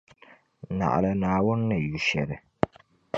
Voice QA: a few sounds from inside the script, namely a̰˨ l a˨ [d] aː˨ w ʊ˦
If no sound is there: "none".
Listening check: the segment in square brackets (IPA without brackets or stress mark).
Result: n